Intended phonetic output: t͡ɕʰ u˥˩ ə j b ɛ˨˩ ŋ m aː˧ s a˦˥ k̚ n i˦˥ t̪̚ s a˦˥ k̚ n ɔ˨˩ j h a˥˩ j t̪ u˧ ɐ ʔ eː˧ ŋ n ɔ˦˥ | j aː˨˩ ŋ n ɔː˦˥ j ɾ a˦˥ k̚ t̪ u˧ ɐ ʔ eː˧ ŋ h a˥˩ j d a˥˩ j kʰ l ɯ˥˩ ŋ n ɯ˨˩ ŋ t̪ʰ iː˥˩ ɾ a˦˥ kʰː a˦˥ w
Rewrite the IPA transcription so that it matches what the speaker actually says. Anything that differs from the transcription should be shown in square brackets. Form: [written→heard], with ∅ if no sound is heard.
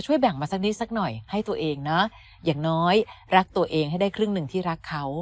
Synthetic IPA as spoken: t͡ɕʰ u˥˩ ə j b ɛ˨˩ ŋ m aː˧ s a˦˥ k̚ n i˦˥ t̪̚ s a˦˥ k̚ n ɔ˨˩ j h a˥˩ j t̪ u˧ ɐ ʔ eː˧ ŋ n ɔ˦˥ | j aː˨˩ ŋ n ɔː˦˥ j ɾ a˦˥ k̚ t̪ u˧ ɐ ʔ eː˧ ŋ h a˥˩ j d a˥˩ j kʰ [l→ɾ] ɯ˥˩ ŋ n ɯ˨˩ ŋ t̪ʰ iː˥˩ ɾ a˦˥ kʰː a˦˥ w